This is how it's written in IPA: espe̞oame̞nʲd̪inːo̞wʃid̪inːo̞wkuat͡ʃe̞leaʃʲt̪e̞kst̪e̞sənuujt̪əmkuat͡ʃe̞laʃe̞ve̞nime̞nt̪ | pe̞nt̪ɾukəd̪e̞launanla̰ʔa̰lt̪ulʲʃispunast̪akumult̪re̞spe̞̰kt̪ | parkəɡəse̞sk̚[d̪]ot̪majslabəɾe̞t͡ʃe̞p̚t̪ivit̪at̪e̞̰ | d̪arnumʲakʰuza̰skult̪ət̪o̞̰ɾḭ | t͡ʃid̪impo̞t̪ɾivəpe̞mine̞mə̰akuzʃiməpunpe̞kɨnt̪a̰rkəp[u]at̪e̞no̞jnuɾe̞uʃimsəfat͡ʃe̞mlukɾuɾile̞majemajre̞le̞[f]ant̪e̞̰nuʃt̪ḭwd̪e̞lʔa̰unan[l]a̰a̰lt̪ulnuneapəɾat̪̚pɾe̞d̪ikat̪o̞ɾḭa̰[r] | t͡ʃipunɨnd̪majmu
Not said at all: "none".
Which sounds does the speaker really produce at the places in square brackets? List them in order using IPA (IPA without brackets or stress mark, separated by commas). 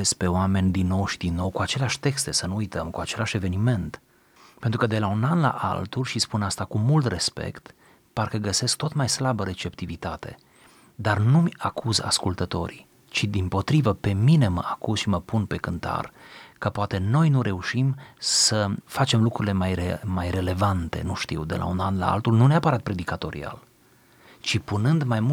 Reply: t̪, o, v, l, l